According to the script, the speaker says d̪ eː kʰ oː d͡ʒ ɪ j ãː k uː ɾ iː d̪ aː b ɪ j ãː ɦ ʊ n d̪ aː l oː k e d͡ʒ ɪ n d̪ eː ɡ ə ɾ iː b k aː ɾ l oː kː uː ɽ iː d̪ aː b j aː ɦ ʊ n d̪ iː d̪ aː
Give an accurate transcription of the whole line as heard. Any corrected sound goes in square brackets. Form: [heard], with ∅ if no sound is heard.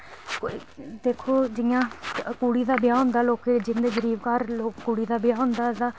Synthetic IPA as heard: d̪ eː kʰ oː d͡ʒ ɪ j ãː k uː [ɽ] iː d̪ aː b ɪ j [aː] ɦ ʊ n d̪ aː l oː k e d͡ʒ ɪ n d̪ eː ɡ ə ɾ iː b k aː ɾ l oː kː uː ɽ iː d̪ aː b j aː ɦ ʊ n d̪ [aː] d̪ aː

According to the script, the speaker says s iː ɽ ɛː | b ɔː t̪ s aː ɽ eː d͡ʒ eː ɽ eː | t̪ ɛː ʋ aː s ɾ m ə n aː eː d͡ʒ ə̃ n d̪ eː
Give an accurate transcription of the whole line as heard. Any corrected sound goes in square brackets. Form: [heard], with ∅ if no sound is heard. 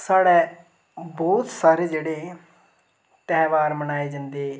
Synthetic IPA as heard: s [aː] ɽ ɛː | b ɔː t̪ s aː [ɾ] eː d͡ʒ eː ɽ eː | t̪ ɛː ʋ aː [∅] ɾ m ə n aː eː d͡ʒ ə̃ n d̪ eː

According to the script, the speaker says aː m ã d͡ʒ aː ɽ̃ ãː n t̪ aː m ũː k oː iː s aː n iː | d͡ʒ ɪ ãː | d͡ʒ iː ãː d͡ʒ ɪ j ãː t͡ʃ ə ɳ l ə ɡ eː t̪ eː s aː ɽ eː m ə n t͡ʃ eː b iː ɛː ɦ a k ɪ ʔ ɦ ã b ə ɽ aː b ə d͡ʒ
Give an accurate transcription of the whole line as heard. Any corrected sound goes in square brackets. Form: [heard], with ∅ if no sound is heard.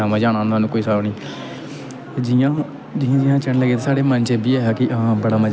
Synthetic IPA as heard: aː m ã d͡ʒ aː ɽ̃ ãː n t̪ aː [n] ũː k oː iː s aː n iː | d͡ʒ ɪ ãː | d͡ʒ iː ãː d͡ʒ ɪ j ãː t͡ʃ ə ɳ l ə ɡ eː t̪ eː s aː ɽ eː m ə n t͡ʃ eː b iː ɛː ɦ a k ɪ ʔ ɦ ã b ə ɽ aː [m] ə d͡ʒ

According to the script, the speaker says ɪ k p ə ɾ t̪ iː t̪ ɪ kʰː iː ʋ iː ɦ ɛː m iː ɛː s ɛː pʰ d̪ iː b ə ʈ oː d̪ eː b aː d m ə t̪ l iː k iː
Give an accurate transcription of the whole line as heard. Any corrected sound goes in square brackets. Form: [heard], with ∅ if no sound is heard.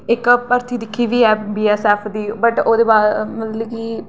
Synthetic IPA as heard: ɪ k p ə ɾ t̪ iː [d̪] ɪ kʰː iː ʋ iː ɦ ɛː [b] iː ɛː s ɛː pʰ d̪ iː b ə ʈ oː d̪ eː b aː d m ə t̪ l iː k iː

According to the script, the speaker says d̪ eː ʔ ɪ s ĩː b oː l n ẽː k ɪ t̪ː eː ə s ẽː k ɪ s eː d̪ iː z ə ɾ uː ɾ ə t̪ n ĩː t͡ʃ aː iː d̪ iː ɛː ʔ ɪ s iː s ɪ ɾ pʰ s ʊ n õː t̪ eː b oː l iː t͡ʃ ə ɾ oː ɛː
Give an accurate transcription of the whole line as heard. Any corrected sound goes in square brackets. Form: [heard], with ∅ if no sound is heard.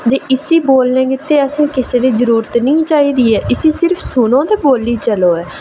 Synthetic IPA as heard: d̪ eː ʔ ɪ s [iː] b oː l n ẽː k ɪ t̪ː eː ə s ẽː k ɪ s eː d̪ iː z ə ɾ uː ɾ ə t̪ n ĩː t͡ʃ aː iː d̪ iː ɛː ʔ ɪ s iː s ɪ ɾ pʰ s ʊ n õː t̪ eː b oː l iː t͡ʃ ə [l] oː ɛː

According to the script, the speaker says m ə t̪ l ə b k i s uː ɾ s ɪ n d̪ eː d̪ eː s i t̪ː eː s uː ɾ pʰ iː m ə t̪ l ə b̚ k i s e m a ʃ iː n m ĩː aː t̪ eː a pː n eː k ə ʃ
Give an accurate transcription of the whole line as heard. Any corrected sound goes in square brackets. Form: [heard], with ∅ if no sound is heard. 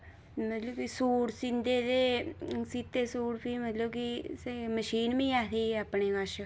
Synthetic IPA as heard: m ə t̪ l ə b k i s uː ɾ s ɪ n d̪ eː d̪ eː s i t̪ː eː s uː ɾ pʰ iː m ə t̪ l ə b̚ k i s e m [ə] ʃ iː n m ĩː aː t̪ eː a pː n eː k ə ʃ

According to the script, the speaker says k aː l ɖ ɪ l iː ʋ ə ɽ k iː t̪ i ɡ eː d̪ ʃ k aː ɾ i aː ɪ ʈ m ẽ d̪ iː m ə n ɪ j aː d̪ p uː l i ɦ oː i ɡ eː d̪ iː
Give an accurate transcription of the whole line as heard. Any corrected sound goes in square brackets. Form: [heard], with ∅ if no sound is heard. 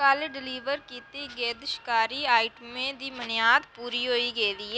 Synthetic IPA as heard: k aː l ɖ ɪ l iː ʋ ə [ɾ] k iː t̪ i ɡ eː d̪ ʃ k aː ɾ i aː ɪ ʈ m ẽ d̪ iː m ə n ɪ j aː d̪ p uː [ɾ] i ɦ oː i ɡ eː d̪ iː

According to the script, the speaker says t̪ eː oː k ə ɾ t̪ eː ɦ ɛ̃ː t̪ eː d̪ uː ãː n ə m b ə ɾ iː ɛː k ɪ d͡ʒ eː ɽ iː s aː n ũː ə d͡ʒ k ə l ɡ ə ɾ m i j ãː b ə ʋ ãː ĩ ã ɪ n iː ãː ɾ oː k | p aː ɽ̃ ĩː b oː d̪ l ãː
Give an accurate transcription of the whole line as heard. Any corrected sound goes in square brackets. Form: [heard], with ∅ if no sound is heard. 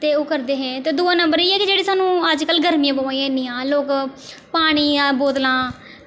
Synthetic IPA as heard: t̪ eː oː k ə ɾ [d̪] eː ɦ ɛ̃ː t̪ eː d̪ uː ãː n ə m b ə ɾ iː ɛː k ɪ d͡ʒ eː ɽ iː s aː n ũː ə d͡ʒ k ə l ɡ ə ɾ m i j ãː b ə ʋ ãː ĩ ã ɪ n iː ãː [l] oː k | p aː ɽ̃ [iː] b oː d̪ l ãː

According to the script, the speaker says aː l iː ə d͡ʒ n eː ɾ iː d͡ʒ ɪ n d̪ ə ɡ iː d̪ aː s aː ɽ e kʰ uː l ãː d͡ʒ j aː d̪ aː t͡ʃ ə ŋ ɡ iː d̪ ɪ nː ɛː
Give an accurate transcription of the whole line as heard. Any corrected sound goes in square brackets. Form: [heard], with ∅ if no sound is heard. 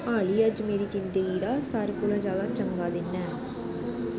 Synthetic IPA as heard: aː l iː ə d͡ʒ [m] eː ɾ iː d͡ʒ ɪ n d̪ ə ɡ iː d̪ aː s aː [ɾ] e [k] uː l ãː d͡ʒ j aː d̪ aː t͡ʃ ə ŋ ɡ [aː] d̪ ɪ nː ɛː

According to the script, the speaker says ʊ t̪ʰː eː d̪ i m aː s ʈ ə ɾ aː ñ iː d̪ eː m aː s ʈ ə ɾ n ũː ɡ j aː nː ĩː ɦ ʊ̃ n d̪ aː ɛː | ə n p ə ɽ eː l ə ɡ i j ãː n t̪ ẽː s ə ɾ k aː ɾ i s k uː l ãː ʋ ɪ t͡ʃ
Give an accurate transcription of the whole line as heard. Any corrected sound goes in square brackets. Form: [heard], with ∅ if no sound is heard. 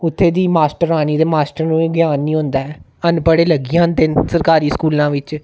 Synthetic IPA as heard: ʊ t̪ʰː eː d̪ [iː] m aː s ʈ ə ɾ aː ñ iː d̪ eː m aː s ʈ ə ɾ n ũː ɡ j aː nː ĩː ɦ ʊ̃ n d̪ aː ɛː | ə n p ə ɽ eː l ə ɡ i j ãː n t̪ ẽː s ə ɾ k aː ɾ [iː] s k uː l ãː ʋ ɪ t͡ʃ

